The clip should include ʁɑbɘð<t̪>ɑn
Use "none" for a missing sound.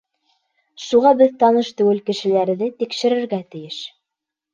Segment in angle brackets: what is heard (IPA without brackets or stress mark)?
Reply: t̪